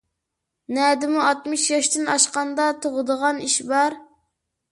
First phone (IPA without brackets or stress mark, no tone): n